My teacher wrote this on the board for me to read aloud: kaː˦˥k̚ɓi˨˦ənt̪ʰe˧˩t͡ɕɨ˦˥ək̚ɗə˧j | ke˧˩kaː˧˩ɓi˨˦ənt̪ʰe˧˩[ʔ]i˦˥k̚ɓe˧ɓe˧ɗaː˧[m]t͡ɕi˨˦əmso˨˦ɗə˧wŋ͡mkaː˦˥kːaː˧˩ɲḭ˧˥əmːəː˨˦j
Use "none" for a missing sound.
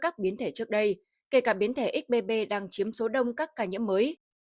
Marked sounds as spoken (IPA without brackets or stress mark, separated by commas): ʔ, ŋ